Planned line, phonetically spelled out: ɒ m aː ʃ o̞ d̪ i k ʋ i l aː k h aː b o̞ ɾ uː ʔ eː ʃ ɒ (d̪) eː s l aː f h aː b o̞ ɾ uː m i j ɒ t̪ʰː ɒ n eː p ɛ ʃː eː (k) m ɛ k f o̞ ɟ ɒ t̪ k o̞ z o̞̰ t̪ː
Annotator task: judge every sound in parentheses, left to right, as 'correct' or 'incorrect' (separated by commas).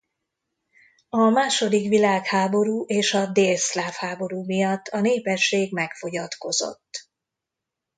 correct, incorrect